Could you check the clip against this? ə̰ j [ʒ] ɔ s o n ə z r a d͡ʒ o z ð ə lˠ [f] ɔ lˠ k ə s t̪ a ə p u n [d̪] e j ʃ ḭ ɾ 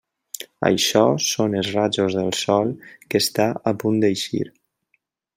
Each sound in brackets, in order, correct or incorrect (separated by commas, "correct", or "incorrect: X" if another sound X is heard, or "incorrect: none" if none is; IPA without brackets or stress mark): incorrect: ʃ, incorrect: s, correct